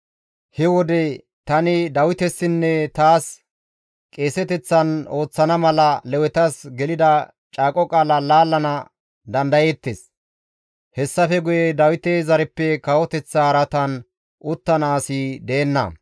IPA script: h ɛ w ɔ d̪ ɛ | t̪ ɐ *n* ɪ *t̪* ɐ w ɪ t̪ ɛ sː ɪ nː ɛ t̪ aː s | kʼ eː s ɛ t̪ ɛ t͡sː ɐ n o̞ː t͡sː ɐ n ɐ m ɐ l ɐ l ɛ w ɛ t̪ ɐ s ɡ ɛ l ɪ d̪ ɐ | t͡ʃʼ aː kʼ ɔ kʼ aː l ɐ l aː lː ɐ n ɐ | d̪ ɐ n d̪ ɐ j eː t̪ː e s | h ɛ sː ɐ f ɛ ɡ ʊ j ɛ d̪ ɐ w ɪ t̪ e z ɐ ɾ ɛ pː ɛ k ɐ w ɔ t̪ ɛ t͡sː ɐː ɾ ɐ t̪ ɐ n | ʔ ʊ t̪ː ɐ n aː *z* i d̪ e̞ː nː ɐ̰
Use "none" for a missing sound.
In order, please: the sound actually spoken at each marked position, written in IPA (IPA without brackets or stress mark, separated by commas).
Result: n, d̪, s